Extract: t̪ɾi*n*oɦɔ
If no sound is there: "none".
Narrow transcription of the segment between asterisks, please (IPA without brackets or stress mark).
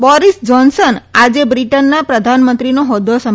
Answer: n